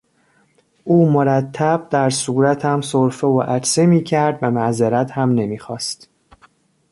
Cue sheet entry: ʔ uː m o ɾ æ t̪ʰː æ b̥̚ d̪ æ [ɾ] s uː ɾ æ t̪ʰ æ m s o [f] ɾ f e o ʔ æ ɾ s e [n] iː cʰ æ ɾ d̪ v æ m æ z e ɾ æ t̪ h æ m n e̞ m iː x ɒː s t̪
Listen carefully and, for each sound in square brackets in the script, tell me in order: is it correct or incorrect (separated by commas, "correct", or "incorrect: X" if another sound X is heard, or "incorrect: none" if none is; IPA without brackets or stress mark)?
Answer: correct, incorrect: none, incorrect: m